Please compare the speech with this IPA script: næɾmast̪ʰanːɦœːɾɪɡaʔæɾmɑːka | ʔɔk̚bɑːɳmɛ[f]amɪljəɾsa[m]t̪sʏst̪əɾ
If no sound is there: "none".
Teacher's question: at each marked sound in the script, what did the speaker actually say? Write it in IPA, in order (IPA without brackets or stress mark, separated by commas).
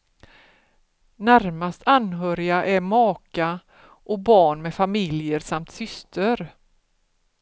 f, m